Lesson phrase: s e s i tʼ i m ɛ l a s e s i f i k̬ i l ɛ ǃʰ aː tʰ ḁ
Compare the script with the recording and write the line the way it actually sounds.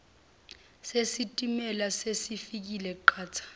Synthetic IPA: s e s i tʼ i m ɛ l a s e s i f i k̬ i l ɛ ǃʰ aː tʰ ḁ